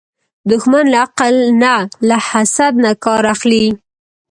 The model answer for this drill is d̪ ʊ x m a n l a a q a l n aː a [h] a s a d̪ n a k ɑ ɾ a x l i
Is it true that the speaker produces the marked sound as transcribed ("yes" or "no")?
yes